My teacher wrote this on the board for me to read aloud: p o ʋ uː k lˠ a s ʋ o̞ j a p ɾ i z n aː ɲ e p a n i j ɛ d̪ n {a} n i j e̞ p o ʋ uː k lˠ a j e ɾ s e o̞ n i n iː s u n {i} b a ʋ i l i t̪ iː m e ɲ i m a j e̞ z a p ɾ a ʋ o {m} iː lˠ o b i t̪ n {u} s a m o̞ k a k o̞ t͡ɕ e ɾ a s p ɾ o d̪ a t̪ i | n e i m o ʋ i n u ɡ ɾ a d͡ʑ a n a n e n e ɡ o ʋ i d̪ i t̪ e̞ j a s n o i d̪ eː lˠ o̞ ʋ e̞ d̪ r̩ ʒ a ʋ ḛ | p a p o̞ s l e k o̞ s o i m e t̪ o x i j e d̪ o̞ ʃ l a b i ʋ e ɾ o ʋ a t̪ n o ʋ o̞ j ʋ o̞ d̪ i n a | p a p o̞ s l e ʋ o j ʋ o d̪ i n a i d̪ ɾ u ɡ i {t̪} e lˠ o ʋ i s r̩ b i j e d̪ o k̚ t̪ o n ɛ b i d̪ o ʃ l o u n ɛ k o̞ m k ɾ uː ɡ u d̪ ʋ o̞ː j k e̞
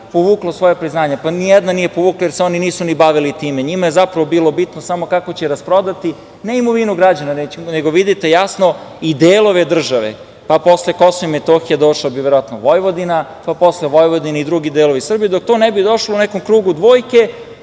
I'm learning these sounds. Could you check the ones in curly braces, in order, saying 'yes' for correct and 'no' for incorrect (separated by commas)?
yes, yes, no, no, no